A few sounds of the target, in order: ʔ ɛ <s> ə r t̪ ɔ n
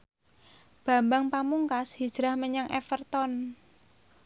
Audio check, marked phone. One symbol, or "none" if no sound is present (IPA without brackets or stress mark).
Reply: f